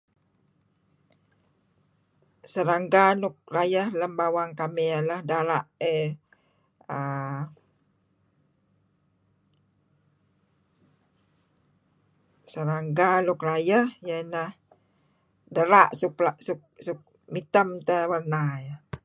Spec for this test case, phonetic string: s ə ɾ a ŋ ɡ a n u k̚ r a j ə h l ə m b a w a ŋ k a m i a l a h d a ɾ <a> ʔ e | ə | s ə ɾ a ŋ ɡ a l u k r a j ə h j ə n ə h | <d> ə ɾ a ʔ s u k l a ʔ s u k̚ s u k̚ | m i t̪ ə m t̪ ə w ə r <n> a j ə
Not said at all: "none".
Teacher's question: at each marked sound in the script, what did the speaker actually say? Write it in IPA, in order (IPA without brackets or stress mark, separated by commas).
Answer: a, d, n